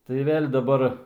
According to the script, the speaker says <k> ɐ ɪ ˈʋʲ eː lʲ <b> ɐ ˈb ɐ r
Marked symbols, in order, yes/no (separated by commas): no, no